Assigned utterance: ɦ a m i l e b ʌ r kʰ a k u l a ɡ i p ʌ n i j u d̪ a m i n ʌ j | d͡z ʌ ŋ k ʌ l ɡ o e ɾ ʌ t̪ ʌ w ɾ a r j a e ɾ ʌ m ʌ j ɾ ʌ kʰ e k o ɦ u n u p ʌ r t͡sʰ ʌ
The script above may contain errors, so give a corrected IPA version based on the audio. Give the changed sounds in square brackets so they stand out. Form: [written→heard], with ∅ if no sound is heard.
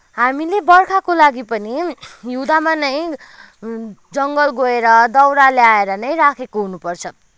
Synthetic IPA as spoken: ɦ a m i l e b ʌ r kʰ a k [u→o] l a ɡ i p ʌ n i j u d̪ a m [i→a] n ʌ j | d͡z ʌ ŋ [k→ɡ] ʌ l ɡ o e ɾ ʌ [t̪→d̪] ʌ w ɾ a [r→l] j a e ɾ ʌ [m→n] ʌ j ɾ [ʌ→a] kʰ e k o ɦ u n u p ʌ r t͡sʰ ʌ